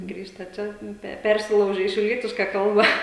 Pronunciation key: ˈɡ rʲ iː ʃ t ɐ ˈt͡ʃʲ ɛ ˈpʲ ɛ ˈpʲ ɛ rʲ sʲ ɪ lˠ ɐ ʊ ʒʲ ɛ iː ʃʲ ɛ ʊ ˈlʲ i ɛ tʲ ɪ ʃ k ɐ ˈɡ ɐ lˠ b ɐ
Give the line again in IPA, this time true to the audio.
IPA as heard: ˈɡ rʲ iː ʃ t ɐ ˈt͡ʃʲ ɛ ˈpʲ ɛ ˈpʲ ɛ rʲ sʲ ɪ lˠ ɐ ʊ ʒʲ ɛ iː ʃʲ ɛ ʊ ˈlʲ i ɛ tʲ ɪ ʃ k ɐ ˈk ɐ lˠ b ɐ